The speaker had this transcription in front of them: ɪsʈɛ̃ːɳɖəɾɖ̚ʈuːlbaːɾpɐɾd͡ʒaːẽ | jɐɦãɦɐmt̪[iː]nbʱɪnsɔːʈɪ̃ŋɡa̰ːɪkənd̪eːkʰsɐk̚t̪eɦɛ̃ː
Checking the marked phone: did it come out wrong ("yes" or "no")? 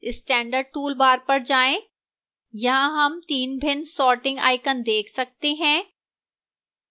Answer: no